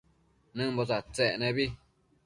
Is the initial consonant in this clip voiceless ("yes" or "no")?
no